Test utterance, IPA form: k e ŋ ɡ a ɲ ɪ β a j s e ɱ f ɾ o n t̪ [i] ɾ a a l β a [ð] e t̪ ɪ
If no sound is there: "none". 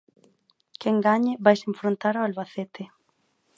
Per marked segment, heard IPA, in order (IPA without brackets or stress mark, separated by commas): a, θ